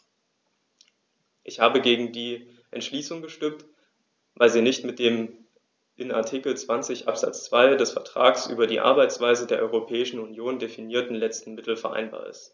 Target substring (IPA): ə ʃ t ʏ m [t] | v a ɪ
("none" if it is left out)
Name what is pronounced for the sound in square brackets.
t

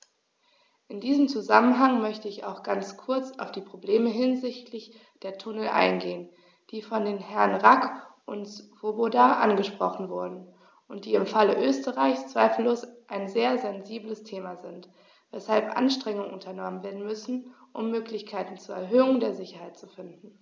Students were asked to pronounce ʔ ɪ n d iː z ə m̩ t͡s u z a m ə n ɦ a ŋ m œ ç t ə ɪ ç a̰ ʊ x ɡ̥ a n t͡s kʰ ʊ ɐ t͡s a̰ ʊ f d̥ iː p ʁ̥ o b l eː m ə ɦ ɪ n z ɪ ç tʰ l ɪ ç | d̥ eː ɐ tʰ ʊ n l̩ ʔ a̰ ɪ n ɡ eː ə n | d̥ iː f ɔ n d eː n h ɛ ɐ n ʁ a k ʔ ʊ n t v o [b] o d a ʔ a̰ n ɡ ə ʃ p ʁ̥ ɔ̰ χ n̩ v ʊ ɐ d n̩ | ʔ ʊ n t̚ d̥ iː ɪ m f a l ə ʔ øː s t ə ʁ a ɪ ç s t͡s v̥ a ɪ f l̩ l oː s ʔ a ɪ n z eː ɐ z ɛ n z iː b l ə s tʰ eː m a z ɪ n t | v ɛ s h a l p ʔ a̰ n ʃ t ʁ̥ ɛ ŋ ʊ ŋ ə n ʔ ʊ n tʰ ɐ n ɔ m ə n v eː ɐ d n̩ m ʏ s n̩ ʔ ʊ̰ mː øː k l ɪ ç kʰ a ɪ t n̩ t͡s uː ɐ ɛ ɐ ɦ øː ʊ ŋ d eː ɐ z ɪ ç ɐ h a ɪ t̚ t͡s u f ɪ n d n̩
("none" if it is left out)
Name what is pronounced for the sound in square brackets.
b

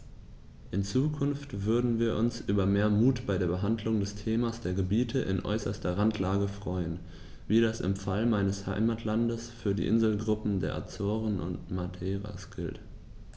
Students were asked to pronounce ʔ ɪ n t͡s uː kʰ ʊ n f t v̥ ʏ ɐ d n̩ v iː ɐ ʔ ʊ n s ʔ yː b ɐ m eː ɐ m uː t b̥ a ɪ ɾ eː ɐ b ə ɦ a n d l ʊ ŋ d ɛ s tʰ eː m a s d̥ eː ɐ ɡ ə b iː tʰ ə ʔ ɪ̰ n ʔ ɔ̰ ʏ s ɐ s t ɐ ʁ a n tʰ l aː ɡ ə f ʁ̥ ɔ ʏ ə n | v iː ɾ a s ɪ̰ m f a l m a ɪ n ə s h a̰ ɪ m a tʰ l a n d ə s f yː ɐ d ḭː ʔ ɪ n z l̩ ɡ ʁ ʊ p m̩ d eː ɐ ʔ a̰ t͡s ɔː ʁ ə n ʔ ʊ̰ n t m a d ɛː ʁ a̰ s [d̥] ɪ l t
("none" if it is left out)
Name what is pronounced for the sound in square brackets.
ɡ̥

